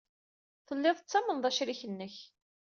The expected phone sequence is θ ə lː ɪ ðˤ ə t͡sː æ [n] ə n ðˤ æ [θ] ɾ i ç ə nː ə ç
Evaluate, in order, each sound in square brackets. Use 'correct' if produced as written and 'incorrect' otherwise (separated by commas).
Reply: incorrect, incorrect